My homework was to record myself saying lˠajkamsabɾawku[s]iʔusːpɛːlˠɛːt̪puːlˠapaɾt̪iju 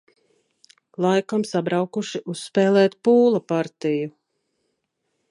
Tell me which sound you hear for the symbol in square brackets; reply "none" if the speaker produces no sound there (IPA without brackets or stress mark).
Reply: ʃ